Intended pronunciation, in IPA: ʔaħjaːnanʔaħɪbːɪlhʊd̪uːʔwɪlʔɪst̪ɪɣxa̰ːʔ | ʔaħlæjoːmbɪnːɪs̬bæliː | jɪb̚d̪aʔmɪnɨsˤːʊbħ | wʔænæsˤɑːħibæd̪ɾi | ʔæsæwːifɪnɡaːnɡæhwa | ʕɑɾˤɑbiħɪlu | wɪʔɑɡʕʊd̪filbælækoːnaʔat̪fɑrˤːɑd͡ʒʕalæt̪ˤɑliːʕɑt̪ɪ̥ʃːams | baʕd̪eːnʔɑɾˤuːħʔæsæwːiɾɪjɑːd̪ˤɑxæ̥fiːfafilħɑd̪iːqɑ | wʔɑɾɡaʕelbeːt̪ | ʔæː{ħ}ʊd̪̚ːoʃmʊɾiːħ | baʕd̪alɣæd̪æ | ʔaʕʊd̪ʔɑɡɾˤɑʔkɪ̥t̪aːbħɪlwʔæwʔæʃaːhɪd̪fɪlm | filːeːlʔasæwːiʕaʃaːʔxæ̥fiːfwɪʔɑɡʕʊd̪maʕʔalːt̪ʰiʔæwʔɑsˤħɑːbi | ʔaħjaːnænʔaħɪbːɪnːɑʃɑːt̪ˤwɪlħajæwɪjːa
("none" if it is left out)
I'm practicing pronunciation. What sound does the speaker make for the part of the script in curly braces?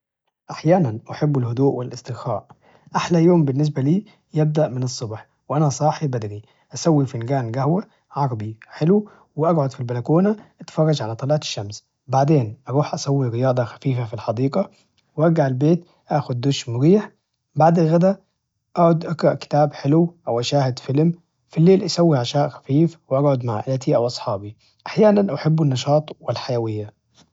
x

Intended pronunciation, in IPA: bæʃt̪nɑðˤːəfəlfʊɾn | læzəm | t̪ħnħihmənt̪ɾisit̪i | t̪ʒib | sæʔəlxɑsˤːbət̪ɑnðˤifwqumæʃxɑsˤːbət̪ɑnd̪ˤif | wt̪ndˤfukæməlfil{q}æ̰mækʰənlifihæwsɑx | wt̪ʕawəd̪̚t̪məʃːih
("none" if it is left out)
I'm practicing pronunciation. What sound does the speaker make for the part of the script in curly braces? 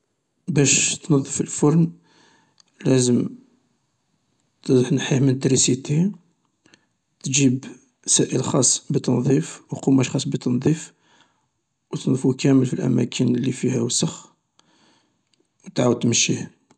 ʔ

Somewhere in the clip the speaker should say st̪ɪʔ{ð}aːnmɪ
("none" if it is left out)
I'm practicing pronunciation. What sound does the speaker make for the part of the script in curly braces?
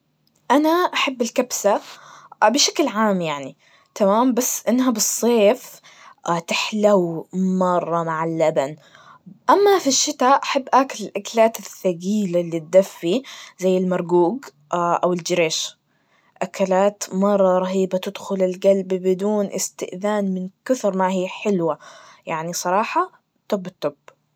ð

